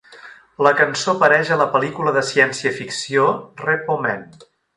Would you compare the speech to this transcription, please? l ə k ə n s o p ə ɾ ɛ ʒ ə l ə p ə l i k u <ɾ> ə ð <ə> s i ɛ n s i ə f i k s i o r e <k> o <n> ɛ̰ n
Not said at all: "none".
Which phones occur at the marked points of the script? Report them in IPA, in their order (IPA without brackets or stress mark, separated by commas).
l, ə, p, m